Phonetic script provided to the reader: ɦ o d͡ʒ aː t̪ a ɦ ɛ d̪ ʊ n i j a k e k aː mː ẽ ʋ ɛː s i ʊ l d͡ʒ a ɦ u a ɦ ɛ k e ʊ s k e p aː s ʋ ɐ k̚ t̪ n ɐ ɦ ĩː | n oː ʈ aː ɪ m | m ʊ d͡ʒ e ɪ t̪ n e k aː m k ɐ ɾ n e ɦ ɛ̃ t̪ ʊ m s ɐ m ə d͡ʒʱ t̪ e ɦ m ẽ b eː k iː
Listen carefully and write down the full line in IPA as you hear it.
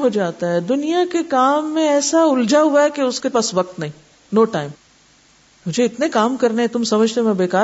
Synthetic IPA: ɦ o d͡ʒ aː t̪ a ɦ ɛ d̪ ʊ n i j a k e k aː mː ẽ ɛː s a ʊ l d͡ʒ a ɦ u a ɦ ɛ k e ʊ s k e p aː s ʋ ɐ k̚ t̪ n ɐ ɦ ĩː | n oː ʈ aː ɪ m | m ʊ d͡ʒ e ɪ t̪ n e k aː m k ɐ ɾ n e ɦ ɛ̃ t̪ ʊ m s ɐ m ə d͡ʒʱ t̪ e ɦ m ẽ b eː k aː